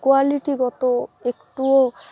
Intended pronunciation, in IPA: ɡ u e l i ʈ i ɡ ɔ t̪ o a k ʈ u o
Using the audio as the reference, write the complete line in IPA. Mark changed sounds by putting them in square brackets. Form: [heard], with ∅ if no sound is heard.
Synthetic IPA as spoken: [k] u [a] l i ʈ i ɡ ɔ t̪ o [e] k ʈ u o